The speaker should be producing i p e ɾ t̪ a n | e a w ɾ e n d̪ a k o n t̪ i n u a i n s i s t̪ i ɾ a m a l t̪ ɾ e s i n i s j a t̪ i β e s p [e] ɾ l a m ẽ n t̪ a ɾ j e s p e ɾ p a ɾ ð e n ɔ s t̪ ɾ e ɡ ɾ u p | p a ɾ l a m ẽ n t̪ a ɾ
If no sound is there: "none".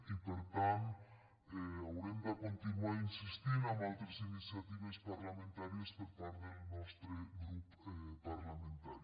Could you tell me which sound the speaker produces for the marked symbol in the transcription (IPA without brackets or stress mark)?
a